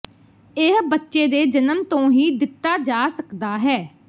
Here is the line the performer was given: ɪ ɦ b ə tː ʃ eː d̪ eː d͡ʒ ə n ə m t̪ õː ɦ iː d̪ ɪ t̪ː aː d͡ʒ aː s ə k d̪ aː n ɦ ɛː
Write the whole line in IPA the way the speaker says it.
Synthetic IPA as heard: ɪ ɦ b ə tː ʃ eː d̪ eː d͡ʒ ə n ə m t̪ õː ɦ iː d̪ ɪ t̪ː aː d͡ʒ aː s ə k d̪ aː ɦ ɛː